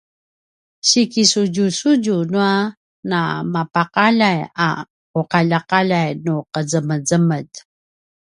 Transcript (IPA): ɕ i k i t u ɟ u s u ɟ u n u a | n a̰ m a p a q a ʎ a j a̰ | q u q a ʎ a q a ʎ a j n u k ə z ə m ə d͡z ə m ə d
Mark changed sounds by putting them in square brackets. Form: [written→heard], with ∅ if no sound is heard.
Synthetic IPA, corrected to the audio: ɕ i k i [t→s] u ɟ u s u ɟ u n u a | n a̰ m a p a q a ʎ a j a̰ | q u q a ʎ a q a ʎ a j n u [k→q] ə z ə m ə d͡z ə m ə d